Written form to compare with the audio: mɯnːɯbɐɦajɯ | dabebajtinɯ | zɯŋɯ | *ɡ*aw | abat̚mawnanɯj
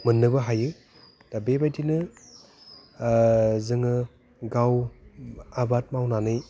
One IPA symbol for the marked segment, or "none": ɡ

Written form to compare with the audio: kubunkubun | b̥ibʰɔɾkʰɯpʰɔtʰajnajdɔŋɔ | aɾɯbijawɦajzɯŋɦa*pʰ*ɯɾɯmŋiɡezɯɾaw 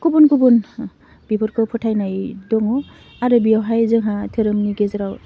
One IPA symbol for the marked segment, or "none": tʰ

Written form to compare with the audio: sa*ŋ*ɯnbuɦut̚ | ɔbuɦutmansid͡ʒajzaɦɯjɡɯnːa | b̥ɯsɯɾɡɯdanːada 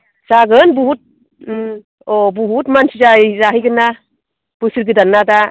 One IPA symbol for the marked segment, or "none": ɡ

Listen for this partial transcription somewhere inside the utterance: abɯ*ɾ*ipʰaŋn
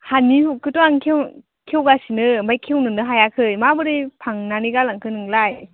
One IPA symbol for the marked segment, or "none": ɾ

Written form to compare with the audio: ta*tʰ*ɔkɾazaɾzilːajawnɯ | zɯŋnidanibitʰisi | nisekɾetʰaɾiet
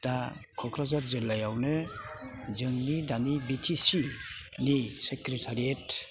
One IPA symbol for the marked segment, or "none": kʰ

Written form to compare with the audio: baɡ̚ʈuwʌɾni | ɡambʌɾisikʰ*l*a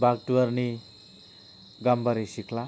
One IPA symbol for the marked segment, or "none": l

